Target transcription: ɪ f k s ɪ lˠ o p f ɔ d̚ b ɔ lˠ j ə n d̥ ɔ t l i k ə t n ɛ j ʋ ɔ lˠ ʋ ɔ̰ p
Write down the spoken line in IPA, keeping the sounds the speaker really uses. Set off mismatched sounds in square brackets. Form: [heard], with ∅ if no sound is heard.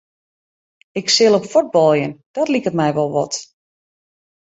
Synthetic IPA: ɪ [∅] k s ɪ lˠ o p f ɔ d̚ b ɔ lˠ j ə n d̥ ɔ t l i k ə t [m] ɛ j ʋ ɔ lˠ ʋ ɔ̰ [t]